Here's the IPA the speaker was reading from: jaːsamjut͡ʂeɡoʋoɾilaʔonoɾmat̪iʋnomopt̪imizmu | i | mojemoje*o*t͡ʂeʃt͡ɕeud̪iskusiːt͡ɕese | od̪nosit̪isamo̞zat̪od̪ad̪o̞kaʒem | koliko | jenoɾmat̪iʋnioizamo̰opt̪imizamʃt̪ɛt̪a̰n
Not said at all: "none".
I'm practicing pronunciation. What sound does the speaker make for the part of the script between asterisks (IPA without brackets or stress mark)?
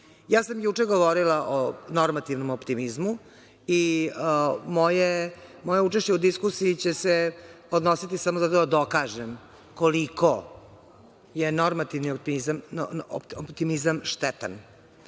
u